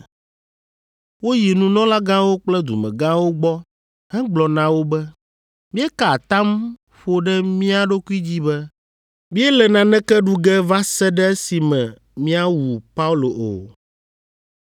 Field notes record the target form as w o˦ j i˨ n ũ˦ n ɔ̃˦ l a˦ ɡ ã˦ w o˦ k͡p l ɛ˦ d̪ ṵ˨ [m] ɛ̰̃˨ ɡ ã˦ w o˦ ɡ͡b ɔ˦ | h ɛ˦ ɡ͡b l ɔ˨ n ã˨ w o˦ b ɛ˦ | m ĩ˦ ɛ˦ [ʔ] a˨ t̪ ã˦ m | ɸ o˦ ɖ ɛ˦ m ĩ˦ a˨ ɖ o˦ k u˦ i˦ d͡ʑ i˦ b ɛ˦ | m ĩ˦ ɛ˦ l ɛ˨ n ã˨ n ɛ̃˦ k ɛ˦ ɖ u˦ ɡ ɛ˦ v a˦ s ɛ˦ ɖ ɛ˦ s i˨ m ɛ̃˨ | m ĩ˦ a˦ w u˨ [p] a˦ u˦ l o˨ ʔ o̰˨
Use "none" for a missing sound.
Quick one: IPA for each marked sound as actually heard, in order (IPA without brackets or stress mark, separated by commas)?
m, k, p